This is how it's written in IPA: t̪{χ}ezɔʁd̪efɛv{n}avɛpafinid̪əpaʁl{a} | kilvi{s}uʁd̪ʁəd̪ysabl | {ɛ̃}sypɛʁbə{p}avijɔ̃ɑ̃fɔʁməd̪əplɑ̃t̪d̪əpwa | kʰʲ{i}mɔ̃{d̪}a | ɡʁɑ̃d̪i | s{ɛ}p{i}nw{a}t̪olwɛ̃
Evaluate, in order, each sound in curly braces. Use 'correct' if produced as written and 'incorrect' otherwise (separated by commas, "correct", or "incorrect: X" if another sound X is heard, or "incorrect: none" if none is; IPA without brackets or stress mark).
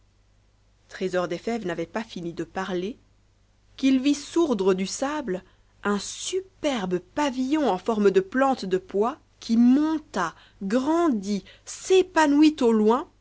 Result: correct, correct, incorrect: e, correct, correct, correct, correct, incorrect: t̪, incorrect: e, incorrect: a, incorrect: i